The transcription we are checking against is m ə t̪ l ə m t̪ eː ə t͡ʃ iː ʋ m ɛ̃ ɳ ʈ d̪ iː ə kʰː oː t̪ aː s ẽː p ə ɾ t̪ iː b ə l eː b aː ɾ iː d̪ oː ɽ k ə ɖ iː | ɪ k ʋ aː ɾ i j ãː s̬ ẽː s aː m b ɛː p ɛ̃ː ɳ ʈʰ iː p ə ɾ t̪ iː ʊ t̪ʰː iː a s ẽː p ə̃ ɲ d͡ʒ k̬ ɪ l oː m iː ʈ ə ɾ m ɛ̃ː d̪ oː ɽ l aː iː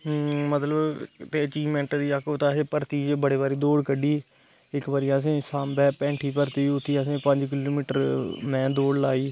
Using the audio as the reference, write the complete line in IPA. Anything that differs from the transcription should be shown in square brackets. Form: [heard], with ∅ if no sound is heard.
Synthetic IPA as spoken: m ə t̪ l ə [b] t̪ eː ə t͡ʃ iː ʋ m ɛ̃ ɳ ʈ d̪ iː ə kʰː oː t̪ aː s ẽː p ə ɾ t̪ iː b ə [ɽ] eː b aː ɾ iː d̪ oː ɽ k ə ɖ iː | ɪ k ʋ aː ɾ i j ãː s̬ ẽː s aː m b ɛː p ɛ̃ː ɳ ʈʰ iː p ə ɾ t̪ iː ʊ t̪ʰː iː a s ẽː p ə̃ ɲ d͡ʒ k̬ ɪ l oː m iː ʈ ə ɾ m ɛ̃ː d̪ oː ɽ l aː iː